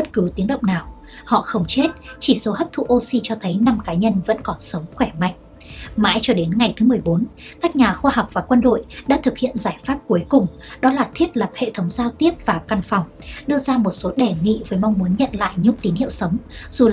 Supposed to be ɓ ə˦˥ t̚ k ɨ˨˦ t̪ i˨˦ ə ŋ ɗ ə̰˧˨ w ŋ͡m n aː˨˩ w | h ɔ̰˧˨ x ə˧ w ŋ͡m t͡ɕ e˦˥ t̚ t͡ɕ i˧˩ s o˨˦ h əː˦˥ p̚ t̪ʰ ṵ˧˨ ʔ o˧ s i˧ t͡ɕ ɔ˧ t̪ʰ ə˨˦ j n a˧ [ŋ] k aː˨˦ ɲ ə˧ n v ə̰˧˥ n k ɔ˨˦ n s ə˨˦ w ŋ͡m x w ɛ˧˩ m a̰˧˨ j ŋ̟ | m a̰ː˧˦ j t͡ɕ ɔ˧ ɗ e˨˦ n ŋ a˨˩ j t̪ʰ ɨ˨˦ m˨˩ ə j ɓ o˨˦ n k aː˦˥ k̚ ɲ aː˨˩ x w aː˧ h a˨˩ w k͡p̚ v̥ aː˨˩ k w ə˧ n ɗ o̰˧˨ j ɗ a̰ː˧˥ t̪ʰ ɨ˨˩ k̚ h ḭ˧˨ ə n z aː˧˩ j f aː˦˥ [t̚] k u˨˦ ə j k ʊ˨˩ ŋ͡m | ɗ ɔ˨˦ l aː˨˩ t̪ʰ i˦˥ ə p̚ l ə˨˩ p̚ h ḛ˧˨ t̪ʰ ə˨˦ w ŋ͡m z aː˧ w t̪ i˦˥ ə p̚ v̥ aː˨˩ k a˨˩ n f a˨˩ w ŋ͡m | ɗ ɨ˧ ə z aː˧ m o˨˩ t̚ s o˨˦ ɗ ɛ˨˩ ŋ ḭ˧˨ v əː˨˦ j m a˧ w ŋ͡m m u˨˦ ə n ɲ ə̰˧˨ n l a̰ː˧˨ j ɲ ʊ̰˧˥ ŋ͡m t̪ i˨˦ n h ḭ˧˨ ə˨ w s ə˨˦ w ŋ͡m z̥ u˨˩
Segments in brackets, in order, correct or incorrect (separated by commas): incorrect, incorrect